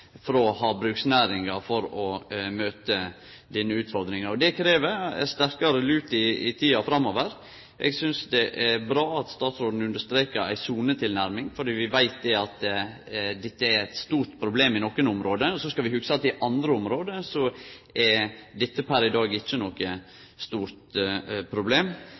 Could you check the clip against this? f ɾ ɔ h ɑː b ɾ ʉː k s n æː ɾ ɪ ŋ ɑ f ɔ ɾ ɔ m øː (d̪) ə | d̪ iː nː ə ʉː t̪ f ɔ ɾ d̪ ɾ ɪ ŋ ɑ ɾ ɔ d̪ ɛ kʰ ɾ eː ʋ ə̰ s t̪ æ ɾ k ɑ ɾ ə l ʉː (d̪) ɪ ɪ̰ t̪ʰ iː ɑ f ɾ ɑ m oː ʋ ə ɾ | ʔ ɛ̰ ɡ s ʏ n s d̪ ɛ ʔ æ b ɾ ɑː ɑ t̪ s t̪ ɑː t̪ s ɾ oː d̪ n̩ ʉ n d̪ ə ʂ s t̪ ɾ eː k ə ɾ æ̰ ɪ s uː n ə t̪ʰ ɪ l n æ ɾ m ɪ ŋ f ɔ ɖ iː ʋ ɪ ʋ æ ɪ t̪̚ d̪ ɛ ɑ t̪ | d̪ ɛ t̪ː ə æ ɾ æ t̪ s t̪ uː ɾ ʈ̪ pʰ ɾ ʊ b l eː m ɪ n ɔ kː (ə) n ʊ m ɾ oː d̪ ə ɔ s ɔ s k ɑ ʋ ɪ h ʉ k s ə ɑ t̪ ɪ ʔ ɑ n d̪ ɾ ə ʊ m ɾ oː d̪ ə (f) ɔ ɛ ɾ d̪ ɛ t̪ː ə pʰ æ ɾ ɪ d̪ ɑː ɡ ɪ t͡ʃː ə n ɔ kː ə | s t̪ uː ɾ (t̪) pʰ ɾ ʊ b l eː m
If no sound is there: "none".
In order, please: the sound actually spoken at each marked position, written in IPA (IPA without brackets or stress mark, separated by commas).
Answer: t̪, t̪, ə, s, t̪